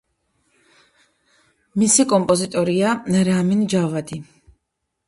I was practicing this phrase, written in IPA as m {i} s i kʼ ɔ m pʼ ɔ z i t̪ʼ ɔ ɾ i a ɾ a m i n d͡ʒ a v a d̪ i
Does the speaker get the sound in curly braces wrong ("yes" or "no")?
no